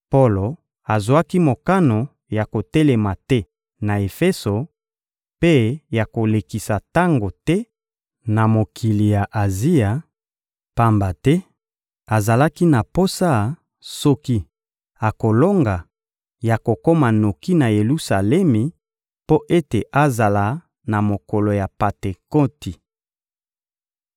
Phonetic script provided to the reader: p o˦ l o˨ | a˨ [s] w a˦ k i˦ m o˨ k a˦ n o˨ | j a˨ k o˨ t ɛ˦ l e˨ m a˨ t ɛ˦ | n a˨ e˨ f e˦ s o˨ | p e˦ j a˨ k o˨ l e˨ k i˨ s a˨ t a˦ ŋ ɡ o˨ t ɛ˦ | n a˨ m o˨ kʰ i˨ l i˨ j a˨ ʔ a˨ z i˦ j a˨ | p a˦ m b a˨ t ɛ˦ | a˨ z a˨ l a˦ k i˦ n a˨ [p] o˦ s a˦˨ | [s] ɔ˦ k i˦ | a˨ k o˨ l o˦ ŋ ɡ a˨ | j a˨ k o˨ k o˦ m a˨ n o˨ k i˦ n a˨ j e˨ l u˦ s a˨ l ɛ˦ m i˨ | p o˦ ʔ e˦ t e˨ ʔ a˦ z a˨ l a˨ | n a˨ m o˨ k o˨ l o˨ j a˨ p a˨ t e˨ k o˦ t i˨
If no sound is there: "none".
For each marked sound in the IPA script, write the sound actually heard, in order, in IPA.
z, p, s

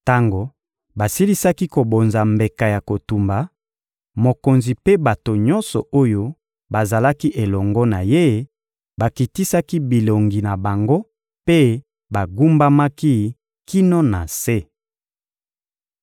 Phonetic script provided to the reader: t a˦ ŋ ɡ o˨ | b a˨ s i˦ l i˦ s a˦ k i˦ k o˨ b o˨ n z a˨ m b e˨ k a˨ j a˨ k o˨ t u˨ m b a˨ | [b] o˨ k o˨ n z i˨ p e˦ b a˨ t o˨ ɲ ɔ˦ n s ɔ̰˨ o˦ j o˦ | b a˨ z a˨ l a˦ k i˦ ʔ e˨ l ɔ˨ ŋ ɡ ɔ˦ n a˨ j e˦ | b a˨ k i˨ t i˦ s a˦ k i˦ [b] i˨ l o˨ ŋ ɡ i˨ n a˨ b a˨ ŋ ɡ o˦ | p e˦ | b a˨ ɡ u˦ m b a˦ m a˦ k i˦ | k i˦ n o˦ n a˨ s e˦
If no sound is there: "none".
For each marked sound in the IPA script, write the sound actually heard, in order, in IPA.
m, b

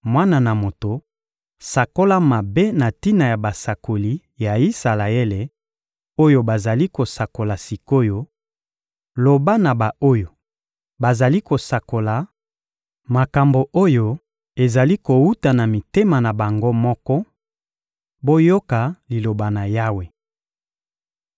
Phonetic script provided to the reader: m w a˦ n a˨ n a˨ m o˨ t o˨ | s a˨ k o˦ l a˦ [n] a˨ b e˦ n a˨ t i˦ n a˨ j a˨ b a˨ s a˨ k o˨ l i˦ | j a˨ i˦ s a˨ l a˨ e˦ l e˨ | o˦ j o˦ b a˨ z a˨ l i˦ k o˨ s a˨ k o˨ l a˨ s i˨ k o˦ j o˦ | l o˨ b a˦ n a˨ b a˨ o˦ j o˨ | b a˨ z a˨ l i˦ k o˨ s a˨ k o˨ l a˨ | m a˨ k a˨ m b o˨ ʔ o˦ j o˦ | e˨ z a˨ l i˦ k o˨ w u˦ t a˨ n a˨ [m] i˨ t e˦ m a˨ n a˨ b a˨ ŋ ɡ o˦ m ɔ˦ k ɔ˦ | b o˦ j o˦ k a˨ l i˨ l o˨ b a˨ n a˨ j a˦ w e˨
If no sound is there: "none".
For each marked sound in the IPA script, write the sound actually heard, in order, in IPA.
m, m

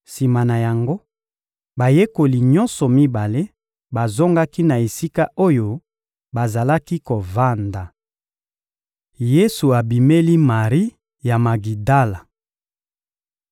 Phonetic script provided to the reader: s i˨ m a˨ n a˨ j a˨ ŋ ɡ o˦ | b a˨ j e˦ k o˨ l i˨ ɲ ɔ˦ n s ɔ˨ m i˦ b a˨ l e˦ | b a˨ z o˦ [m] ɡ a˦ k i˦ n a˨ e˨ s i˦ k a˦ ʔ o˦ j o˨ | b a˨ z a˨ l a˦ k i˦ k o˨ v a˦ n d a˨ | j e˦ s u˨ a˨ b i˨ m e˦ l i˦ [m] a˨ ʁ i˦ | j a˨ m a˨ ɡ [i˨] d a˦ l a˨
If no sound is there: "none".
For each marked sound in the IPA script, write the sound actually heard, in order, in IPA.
ŋ, m, i˨

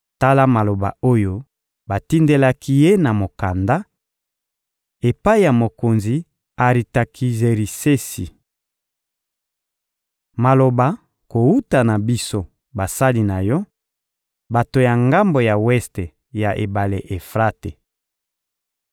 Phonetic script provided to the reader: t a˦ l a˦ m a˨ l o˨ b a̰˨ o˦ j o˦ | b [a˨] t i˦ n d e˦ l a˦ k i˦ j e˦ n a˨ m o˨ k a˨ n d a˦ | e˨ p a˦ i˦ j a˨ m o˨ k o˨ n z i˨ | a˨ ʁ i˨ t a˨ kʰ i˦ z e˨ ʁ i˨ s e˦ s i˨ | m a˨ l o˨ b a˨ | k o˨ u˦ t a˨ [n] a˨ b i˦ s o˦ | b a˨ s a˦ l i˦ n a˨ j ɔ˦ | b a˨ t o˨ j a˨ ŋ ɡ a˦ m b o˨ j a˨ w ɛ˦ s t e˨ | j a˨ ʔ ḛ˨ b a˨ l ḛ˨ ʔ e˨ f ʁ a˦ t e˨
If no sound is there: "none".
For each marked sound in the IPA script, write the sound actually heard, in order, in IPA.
a˨, n

